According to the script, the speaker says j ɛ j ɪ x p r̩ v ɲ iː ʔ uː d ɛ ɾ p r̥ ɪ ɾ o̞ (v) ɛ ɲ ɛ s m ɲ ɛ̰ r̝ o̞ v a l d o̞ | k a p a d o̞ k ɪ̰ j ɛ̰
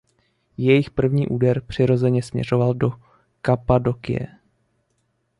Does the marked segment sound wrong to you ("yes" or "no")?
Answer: yes